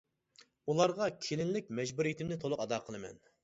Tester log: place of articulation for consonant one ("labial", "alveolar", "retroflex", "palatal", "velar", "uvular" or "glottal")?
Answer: alveolar